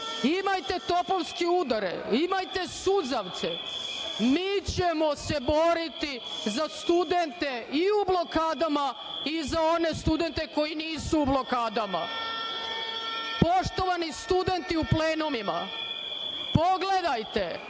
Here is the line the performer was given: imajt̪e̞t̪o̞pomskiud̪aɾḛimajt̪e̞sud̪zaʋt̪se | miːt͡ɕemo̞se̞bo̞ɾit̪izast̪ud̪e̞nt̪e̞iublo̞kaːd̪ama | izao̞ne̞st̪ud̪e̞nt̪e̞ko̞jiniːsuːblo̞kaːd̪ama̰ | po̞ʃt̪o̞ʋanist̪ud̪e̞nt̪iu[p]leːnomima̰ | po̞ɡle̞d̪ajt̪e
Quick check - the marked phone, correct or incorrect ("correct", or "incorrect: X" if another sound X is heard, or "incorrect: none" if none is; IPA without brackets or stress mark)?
correct